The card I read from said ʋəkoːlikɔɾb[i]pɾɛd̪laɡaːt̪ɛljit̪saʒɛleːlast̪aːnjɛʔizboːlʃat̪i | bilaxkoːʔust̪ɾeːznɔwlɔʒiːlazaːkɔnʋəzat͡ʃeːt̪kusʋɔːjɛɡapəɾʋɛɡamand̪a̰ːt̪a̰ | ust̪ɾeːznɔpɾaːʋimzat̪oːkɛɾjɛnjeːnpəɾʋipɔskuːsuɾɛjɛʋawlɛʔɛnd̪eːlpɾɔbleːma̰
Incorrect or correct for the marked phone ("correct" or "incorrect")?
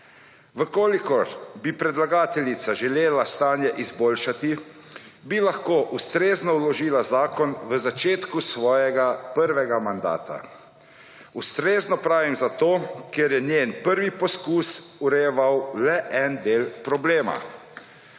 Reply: correct